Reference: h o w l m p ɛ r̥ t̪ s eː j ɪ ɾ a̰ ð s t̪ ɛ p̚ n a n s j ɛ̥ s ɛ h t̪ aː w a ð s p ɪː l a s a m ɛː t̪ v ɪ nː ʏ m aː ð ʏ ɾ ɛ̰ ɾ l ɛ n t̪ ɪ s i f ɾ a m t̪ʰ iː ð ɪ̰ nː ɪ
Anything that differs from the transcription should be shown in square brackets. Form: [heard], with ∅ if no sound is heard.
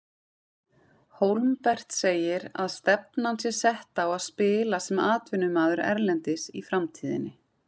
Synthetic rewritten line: h o w l m p ɛ r̥ t̪ s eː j ɪ ɾ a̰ ð s t̪ ɛ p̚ n a n s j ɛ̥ s ɛ h t̪ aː w a ð s p ɪː l a s [ɛ] m [aː] t̪ v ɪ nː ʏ m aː ð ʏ ɾ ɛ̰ ɾ l ɛ n t̪ ɪ s i f ɾ a m t̪ʰ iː ð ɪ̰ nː ɪ